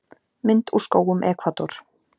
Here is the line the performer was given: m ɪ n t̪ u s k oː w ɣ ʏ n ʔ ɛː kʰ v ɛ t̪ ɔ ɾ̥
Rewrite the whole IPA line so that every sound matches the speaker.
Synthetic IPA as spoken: m ɪ n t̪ u s k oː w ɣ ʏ m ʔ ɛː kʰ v a t̪ ɔ ɾ̥